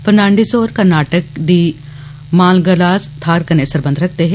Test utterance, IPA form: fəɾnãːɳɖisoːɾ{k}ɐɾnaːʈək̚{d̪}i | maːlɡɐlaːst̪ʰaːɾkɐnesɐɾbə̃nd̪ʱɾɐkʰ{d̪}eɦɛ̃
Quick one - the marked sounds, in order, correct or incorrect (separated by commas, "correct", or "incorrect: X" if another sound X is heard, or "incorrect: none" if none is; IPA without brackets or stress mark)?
correct, correct, incorrect: t̪